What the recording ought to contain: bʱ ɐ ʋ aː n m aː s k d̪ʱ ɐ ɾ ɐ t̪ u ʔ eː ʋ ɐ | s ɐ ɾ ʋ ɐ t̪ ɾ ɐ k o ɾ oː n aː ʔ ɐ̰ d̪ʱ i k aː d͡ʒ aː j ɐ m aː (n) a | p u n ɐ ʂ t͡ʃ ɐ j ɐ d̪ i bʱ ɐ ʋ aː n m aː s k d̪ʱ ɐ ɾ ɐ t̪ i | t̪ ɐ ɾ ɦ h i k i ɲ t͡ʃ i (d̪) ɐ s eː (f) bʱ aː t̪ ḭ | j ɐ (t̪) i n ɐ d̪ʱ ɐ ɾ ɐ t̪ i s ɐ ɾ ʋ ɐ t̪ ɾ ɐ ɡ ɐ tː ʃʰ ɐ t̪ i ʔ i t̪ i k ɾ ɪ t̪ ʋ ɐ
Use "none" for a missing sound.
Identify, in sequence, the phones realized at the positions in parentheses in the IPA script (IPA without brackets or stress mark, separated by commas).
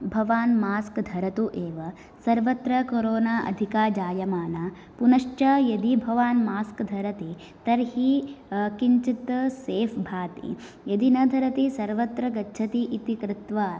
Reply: n, t̪, f, d̪